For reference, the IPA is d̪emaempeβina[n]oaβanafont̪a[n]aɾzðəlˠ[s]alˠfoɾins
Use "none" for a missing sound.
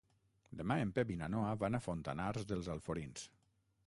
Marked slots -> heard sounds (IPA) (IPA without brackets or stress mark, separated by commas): n, n, z